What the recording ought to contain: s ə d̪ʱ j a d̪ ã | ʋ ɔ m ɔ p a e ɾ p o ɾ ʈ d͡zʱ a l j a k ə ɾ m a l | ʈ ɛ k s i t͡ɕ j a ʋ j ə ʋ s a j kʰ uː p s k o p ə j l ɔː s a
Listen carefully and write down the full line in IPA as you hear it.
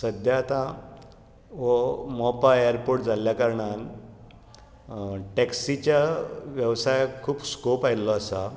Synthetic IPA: s ə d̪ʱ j a t̪ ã | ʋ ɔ m ɔ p a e ɾ p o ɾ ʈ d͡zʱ a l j a k ə ɾ ɳ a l | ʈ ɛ k s i t͡ɕ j a ʋ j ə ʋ s a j kʰ uː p s k o p a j l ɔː s a

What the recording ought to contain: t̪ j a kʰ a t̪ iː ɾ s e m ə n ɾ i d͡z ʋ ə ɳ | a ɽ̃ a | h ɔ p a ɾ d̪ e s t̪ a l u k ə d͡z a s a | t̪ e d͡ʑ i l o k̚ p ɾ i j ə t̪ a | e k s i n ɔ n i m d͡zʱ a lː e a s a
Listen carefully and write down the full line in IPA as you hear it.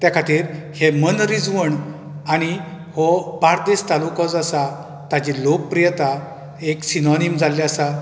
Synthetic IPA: t̪ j a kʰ a t̪ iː ɾ h e m ə n ɾ i d͡z ʋ ə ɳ | a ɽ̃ i | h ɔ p a ɾ d̪ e s t̪ a l u k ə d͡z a s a | t̪ a d͡ʑ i l o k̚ p ɾ i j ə t̪ a | e k s i n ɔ n i m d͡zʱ a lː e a s a

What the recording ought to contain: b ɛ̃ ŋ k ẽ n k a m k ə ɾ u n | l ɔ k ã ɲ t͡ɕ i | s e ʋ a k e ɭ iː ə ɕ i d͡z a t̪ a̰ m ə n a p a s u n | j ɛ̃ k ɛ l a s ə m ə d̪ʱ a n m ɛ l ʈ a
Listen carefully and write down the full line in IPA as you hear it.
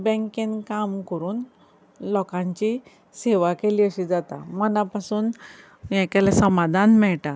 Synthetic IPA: b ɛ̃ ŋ k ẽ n k a m k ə ɾ uː n | l ɔ k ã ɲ t͡ɕ i | s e ʋ a k e l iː ə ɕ i d͡z a t̪ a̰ m ə n a p a s uː n | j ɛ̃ k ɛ l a s ə m a d̪ʱ a n m ɛ ɭ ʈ a

